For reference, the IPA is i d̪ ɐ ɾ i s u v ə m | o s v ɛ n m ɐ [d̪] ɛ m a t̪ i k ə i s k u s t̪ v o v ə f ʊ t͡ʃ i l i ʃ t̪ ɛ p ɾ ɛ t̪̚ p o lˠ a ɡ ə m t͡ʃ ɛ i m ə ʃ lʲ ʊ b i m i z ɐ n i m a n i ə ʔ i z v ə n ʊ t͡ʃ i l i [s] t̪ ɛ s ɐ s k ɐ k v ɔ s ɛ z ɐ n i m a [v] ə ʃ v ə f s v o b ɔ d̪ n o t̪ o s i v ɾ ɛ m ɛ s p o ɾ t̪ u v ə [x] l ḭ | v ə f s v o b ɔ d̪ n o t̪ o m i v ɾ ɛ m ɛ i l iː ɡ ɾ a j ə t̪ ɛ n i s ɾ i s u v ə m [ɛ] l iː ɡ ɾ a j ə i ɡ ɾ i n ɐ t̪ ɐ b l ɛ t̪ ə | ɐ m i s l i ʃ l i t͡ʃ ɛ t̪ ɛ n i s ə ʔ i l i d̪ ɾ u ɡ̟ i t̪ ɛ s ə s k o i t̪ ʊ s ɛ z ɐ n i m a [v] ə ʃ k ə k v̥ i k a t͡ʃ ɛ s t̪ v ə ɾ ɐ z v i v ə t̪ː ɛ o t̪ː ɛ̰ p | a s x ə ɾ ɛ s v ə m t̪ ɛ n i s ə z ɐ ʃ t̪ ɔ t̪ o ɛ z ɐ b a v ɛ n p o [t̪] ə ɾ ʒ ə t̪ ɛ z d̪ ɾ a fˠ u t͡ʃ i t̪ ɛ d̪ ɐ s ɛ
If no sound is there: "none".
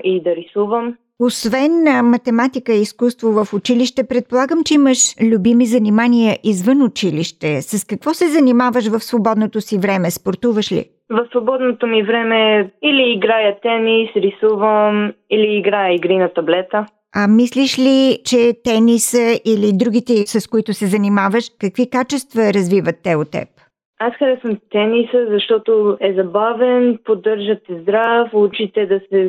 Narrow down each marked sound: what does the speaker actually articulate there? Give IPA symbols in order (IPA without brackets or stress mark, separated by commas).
t̪, ʃ, v, ʃ, i, v, d̪